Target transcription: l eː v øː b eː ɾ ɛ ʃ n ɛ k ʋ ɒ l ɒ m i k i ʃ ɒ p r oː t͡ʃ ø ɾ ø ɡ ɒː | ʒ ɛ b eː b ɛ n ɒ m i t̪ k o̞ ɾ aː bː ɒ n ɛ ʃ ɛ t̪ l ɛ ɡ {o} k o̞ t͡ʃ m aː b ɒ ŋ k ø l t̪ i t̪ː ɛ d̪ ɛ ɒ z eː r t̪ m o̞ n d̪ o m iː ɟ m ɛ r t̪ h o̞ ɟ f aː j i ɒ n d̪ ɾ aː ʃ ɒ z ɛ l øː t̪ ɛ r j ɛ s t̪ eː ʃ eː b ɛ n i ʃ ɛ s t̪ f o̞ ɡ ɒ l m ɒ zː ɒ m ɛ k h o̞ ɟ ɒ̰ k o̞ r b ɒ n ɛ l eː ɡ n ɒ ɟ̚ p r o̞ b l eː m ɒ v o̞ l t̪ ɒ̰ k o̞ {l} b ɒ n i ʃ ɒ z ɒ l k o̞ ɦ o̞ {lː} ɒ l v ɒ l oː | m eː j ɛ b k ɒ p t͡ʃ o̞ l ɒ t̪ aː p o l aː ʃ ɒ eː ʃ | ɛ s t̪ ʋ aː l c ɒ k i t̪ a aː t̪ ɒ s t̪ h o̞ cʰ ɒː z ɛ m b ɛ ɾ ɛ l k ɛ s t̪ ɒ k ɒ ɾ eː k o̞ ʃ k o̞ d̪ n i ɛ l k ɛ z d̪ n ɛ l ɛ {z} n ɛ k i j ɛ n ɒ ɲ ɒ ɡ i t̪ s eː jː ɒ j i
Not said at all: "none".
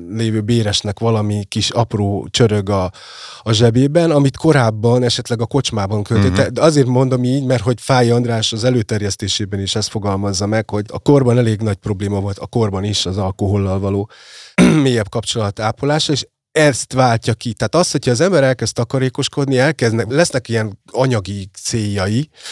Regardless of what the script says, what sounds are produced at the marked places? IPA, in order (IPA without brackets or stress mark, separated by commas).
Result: ɒ, r, lː, s